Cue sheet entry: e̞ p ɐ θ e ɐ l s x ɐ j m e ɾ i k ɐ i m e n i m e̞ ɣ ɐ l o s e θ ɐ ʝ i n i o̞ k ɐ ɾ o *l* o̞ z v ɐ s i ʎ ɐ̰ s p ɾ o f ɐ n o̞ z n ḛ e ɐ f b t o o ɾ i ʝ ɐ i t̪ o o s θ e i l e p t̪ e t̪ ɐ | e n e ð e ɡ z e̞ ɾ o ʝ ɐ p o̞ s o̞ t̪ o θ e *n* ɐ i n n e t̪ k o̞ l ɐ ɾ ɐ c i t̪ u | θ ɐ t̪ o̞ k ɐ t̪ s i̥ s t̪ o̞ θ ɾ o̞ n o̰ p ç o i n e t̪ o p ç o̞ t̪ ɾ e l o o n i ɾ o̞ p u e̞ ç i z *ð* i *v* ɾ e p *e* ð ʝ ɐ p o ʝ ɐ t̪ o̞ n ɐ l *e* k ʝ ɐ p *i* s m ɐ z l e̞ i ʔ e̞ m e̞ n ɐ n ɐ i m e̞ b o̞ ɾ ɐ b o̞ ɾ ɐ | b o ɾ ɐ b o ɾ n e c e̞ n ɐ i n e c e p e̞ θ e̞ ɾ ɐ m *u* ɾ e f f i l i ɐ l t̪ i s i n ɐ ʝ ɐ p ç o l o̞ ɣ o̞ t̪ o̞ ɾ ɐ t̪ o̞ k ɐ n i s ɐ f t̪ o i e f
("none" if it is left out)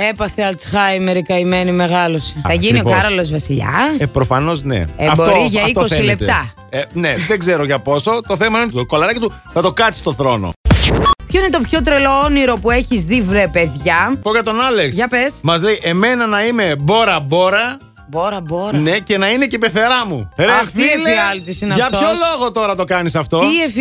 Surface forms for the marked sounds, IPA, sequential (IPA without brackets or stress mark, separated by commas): l, m, ð, v, e, e, e, u